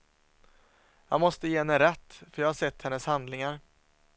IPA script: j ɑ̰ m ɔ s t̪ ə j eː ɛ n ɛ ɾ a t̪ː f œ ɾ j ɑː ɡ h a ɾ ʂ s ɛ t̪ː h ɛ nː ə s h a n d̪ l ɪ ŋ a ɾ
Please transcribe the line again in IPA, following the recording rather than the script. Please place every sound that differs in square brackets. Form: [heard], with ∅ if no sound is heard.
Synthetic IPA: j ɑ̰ m ɔ s t̪ ə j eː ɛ n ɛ ɾ [ɛ] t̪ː f œ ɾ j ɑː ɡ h a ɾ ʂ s ɛ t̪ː h ɛ nː ə s h a n d̪ l ɪ ŋ a ɾ